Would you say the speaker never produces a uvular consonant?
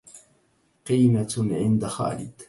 no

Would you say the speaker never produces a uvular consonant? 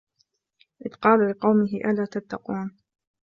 no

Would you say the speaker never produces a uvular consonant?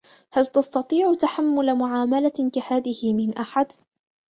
yes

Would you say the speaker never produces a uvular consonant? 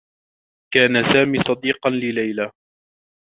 no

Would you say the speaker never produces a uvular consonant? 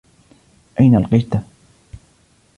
no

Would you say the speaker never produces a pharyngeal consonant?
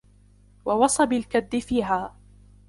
yes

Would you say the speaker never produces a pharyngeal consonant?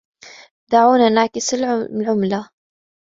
no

